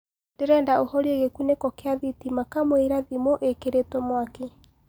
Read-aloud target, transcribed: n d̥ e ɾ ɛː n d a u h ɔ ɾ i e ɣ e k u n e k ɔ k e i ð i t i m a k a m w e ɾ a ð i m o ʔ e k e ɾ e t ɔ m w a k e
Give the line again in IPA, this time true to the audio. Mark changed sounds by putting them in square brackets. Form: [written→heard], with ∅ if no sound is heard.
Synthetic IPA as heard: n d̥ e ɾ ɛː n d a [u→o] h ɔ ɾ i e ɣ e k u n e k ɔ k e [i→a] ð i t i m a k a m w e ɾ a ð i m o ʔ e k e ɾ e t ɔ m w a k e